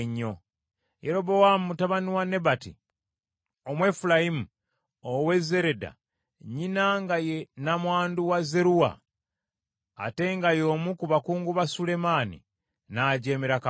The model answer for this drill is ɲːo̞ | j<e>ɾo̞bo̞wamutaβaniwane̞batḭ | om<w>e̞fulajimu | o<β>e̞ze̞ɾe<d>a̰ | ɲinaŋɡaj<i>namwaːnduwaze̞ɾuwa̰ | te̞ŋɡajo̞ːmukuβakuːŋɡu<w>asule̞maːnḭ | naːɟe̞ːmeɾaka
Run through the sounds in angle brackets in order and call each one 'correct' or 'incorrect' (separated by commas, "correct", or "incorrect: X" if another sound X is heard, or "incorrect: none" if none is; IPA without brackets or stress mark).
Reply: correct, correct, incorrect: w, correct, incorrect: e, incorrect: β